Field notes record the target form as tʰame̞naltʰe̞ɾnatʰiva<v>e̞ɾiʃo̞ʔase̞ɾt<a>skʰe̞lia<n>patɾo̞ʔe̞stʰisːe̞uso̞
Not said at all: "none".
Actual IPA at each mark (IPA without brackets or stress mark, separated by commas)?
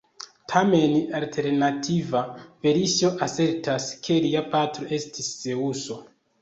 v, a, none